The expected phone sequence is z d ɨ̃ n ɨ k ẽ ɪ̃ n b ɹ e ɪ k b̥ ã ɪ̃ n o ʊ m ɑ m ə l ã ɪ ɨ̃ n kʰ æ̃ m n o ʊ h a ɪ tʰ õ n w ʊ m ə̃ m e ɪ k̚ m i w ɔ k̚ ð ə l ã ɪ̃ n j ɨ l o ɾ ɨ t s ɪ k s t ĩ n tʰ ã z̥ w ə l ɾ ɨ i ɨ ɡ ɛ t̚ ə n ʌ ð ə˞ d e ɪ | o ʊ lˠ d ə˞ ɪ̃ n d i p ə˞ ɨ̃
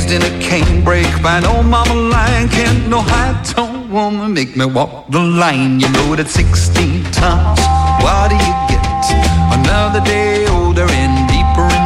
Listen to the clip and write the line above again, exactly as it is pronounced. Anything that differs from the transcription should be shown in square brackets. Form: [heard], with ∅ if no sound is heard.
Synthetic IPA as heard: z d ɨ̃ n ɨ [kʰ] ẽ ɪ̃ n b ɹ e ɪ k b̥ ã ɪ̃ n o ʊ m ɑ m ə l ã ɪ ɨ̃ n kʰ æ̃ [n] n o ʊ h a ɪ tʰ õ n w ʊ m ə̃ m e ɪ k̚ m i w ɔ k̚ ð ə l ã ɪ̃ n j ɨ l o ɾ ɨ t s ɪ k s t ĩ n tʰ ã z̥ w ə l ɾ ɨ [j] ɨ ɡ ɛ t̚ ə n ʌ ð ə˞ d e ɪ | o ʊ lˠ d ə˞ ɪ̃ n d i p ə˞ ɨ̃